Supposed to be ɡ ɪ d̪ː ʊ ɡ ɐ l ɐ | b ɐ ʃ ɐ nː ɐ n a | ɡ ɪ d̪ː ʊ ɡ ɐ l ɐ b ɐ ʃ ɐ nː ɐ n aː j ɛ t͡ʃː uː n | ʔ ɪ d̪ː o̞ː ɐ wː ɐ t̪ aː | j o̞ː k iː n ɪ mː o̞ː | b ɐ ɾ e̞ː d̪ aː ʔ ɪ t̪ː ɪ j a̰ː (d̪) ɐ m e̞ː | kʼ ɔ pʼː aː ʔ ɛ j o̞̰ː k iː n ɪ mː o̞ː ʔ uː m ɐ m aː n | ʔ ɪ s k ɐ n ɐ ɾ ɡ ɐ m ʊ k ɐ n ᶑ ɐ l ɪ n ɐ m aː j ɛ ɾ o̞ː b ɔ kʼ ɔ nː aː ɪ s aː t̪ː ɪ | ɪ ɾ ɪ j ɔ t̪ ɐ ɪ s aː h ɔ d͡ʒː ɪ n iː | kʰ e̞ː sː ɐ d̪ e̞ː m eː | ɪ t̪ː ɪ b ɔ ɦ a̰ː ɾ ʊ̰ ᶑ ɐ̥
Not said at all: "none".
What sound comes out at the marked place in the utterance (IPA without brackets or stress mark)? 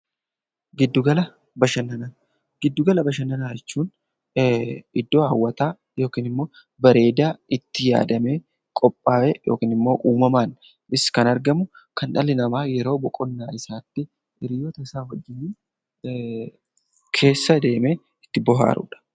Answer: d̪